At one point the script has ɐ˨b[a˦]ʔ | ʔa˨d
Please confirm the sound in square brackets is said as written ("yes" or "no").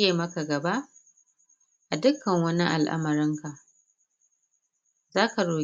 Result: yes